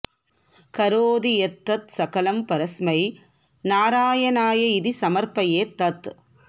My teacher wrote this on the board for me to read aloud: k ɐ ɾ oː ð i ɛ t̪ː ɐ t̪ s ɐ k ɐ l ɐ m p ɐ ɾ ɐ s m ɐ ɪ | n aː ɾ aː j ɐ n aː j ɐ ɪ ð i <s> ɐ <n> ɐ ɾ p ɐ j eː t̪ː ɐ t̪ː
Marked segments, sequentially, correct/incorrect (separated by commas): correct, incorrect